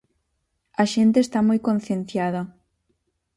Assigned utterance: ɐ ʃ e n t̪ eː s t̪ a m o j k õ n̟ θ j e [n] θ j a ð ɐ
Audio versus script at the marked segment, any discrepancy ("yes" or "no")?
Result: no